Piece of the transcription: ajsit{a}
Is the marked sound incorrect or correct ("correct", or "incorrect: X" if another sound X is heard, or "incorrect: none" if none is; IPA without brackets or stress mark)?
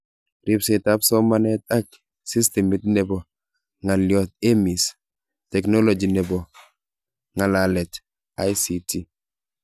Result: incorrect: i